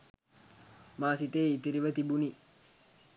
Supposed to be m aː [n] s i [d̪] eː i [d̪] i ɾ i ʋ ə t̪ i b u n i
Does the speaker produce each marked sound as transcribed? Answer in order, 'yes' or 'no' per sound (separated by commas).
no, no, no